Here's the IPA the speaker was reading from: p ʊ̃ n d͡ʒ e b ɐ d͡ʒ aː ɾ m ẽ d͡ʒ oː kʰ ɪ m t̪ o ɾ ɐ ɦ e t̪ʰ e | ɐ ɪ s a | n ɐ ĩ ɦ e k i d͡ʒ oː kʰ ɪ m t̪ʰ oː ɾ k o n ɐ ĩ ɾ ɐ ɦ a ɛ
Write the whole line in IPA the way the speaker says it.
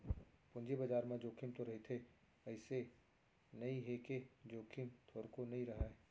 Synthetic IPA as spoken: p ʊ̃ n d͡ʒ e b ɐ d͡ʒ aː ɾ m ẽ d͡ʒ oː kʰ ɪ m t̪ o ɾ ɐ ɦ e t̪ʰ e | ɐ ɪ s e | n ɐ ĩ ɦ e k e d͡ʒ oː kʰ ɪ m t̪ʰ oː ɾ k o n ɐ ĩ ɾ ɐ ɦ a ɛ